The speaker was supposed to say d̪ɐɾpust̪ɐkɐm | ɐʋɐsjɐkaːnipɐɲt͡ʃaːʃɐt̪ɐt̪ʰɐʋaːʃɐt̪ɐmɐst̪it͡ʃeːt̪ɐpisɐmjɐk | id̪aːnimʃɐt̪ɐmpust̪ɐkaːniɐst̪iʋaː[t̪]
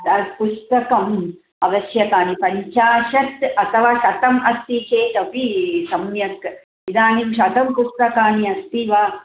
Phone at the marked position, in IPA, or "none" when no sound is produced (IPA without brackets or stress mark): none